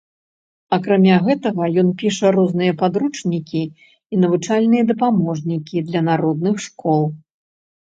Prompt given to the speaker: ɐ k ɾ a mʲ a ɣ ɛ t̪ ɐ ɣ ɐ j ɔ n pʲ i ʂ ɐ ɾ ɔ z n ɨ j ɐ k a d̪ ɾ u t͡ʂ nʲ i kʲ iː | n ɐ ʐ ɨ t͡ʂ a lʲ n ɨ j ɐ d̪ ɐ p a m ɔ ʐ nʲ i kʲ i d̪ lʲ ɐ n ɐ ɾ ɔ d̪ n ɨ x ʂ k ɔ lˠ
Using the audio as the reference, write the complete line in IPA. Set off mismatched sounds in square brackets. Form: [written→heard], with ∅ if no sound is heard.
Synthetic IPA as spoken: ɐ k ɾ a mʲ a ɣ ɛ t̪ ɐ ɣ ɐ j ɔ n pʲ i ʂ ɐ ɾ ɔ z n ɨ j ɐ [k→p] a d̪ ɾ u t͡ʂ nʲ i kʲ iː | n ɐ [ʐ→v] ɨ t͡ʂ a lʲ n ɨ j ɐ d̪ ɐ p a m ɔ ʐ nʲ i kʲ i d̪ lʲ ɐ n [ɐ→a] ɾ ɔ d̪ n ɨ x ʂ k ɔ lˠ